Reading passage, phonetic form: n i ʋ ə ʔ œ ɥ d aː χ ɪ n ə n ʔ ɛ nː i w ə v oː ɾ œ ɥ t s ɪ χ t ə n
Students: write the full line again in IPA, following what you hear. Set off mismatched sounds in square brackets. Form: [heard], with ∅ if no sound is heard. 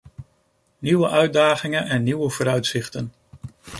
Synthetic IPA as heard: n i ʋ ə ʔ œ ɥ d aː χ ɪ [ŋ] ə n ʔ ɛ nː i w ə v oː ɾ œ ɥ t s ɪ χ t ə n

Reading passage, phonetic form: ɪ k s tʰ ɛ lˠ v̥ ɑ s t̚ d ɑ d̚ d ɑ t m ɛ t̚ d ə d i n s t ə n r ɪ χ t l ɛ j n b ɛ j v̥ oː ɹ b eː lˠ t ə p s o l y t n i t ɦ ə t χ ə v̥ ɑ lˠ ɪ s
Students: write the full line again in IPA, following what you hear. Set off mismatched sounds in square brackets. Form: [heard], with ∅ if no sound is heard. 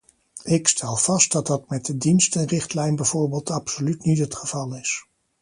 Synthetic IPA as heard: ɪ k s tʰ ɛ lˠ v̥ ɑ s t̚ d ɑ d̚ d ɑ t m ɛ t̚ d ə d i n s t ə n r ɪ χ t l ɛ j n b ɛ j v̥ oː ɹ b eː lˠ t [ɑ] p s o l y t n i t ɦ ə t χ ə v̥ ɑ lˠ ɪ s

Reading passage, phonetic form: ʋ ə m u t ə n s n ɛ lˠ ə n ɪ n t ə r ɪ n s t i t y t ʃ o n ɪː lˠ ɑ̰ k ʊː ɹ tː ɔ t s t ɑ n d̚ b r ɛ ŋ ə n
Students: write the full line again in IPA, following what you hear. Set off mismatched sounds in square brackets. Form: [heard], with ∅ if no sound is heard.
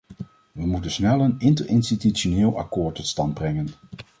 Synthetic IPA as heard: ʋ ə m u t ə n s n ɛ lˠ ə n ɪ n t ə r ɪ n s t i t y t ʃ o n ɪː lˠ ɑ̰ k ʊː ɹ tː ɔ t s t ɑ n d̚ b r ɛ ŋ ə n

